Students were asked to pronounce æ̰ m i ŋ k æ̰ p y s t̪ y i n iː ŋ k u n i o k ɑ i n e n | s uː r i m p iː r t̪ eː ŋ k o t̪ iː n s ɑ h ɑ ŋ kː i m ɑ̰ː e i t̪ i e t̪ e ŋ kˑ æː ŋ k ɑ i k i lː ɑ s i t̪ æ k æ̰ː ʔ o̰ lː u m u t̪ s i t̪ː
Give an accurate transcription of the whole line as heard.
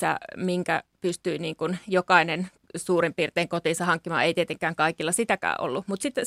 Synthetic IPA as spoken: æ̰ m i ŋ k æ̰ p y s t̪ y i n iː ŋ k u n j o k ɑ i n e n | s uː r i m p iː r t̪ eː ŋ k o t̪ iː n s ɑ h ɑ ŋ kː i m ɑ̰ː e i t̪ i e t̪ e ŋ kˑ æː ŋ k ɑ i k i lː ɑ s i t̪ æ k æ̰ː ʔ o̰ lː u m u t̪ s i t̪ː